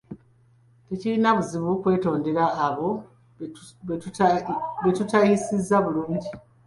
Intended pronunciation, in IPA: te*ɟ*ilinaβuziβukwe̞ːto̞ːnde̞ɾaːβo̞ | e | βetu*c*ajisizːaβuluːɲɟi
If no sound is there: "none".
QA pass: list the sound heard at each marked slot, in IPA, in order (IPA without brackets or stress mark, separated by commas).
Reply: c, t